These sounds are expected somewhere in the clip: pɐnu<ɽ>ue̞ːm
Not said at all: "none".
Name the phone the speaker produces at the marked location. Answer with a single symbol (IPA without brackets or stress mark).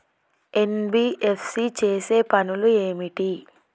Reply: l